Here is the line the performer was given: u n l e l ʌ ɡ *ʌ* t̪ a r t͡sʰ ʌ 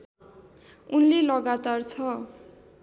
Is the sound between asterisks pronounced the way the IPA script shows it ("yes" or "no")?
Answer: no